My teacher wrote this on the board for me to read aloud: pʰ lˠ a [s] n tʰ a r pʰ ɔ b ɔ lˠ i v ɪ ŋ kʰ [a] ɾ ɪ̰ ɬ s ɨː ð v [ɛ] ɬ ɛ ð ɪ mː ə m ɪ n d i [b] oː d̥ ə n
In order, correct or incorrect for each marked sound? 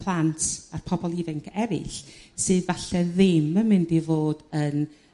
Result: incorrect, incorrect, incorrect, incorrect

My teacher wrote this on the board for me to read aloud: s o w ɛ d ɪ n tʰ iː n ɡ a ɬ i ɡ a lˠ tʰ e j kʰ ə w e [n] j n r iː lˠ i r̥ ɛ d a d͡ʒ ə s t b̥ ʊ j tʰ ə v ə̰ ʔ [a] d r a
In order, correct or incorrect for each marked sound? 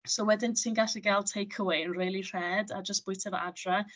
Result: incorrect, correct

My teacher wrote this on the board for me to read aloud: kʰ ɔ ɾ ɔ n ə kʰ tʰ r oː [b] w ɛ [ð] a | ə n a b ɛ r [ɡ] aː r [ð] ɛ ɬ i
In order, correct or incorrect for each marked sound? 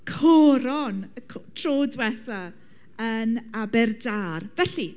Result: incorrect, incorrect, incorrect, incorrect

